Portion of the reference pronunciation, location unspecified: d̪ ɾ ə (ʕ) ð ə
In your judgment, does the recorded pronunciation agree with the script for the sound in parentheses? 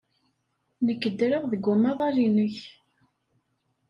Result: no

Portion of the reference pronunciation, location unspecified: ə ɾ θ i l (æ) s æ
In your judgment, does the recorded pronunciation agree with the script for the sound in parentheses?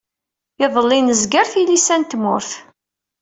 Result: no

